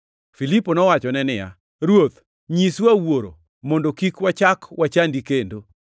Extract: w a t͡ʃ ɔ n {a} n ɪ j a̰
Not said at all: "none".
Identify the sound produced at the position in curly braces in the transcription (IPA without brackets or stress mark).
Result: ɛ